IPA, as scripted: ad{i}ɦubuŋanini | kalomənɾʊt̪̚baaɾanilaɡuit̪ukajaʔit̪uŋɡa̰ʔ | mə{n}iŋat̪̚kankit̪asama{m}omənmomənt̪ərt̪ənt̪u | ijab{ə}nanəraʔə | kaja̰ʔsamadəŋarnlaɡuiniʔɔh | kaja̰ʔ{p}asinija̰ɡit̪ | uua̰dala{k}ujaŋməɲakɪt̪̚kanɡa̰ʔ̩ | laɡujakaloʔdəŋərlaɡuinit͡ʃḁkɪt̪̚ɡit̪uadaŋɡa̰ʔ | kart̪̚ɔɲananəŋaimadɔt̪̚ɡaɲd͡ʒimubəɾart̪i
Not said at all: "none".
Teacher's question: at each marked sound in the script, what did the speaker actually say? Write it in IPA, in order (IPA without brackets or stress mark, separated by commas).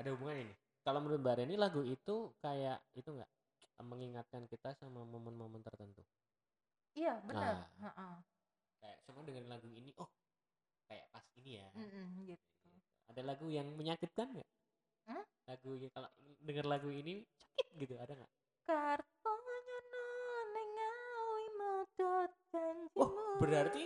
a, ŋ, m, ə, p, ɡ